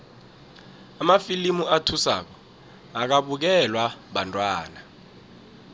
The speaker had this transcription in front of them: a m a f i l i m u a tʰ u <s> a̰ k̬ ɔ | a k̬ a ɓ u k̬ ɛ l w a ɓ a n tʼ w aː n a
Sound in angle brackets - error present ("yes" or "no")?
no